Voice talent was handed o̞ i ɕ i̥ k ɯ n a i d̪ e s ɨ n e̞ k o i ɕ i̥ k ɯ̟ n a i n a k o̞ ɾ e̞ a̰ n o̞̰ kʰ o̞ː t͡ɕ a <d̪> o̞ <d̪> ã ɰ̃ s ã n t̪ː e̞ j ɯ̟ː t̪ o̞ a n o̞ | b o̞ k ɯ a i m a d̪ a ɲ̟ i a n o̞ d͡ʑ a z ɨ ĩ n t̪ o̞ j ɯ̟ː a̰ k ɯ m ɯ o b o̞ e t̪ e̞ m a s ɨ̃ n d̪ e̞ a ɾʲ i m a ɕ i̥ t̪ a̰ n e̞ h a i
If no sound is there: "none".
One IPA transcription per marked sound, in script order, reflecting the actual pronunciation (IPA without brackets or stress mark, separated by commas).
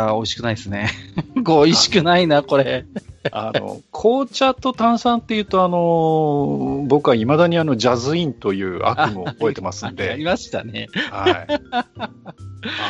t̪, t̪